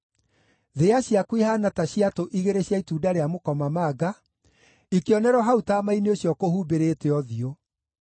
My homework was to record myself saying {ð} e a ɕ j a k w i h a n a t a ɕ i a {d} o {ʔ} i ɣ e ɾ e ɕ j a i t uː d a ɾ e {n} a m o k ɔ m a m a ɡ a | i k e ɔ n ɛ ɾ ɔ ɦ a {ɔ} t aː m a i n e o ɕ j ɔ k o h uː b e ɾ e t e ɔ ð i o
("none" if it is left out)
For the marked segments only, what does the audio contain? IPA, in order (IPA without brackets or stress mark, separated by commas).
ð, t, ʔ, none, u